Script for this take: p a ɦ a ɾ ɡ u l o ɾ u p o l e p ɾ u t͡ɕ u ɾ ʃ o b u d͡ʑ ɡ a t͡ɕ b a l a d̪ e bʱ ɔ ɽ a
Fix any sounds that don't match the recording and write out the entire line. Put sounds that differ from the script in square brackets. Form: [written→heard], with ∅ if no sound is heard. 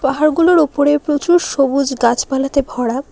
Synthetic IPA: p a ɦ a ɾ ɡ u l o ɾ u p o [l→ɾ] e p ɾ [u→o] t͡ɕ u ɾ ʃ o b u d͡ʑ ɡ a t͡ɕ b a l a [d̪→t̪] e bʱ ɔ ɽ a